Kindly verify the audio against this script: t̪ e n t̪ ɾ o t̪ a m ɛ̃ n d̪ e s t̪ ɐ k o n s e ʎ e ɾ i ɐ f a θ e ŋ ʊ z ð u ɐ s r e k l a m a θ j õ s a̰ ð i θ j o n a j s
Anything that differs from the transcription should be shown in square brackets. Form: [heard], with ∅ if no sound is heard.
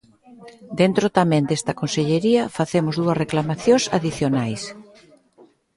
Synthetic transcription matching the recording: [d̪] e n t̪ ɾ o t̪ a m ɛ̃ n d̪ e s t̪ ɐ k o n s e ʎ e ɾ i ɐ f a θ e [m] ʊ z ð u ɐ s r e k l a m a θ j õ s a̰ ð i θ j o n a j s